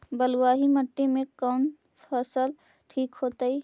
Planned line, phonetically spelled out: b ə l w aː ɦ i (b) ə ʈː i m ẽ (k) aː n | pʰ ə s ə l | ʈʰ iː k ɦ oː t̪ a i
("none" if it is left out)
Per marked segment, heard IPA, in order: m, k

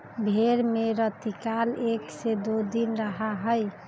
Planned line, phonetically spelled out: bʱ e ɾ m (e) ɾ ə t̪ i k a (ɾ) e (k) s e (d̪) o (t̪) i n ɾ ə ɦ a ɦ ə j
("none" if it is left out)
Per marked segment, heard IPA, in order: e, l, k, d̪, d̪

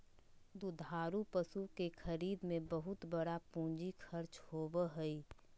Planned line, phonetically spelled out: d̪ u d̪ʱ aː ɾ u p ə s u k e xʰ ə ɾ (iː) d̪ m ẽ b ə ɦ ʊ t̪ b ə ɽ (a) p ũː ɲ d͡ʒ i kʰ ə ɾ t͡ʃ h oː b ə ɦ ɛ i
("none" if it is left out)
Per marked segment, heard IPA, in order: iː, a

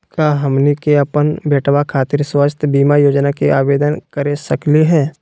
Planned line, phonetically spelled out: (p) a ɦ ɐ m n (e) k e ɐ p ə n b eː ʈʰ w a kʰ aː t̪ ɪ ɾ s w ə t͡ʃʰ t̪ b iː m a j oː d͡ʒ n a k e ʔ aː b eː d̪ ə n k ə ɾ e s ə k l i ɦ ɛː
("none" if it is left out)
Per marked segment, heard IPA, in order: k, i

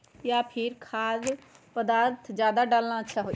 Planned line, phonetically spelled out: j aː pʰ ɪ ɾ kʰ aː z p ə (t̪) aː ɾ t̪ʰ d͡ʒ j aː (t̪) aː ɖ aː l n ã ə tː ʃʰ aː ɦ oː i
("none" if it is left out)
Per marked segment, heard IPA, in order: d̪, d̪

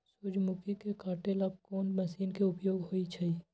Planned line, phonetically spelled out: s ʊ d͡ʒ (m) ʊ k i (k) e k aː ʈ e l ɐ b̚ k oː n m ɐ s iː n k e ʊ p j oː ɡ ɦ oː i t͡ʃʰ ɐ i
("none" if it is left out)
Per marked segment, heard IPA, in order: m, k

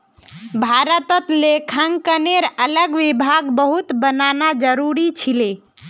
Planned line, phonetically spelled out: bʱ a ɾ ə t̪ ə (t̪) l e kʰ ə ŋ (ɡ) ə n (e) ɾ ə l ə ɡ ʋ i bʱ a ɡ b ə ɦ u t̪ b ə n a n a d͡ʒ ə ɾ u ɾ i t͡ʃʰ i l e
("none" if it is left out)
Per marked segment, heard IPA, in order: t̪, k, e

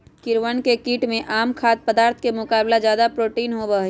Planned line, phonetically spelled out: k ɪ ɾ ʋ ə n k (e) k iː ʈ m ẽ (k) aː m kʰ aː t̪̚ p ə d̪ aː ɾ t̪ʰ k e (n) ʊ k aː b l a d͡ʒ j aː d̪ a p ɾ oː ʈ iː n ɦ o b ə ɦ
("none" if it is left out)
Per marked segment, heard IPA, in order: e, ʔ, m

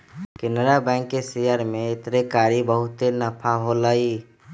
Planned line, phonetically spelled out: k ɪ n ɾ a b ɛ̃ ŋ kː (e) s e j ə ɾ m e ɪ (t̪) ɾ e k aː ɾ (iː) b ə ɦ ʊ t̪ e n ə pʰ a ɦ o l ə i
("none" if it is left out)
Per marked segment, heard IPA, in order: e, t̪, i

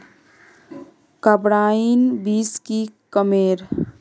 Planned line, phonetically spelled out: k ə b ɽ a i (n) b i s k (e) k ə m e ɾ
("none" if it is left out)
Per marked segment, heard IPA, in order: n, i

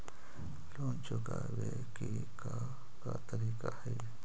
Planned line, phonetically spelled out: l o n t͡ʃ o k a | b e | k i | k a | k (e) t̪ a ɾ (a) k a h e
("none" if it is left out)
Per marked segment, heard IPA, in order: a, i

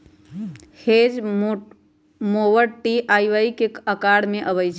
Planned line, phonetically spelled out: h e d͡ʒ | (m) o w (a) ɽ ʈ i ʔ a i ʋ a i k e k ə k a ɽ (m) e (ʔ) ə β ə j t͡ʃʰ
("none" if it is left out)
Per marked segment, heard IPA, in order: m, ə, m, ʔ

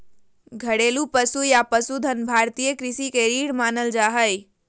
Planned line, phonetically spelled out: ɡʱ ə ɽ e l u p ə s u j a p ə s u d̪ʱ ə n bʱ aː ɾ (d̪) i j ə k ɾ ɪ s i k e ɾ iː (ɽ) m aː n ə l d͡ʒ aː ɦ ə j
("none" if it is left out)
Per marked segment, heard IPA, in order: t̪, ɽ

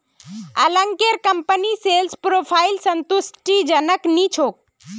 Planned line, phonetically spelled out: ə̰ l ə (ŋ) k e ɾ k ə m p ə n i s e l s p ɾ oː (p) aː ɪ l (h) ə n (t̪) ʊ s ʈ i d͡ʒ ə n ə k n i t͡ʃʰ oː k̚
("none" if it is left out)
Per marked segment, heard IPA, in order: ŋ, pʰ, s, t̪

